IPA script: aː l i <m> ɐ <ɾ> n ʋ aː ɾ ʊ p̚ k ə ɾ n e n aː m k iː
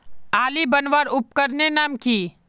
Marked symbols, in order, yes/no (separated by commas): no, no